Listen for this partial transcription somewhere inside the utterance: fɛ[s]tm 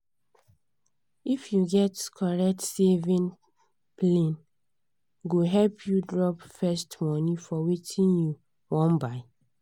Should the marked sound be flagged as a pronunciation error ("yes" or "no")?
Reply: no